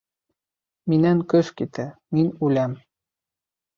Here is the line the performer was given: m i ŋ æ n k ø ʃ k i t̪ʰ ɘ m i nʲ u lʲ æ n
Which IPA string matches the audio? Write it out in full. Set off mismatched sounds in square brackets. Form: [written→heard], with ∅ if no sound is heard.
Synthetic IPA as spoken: m i [ŋ→n] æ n k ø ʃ k i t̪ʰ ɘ m i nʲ u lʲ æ [n→m]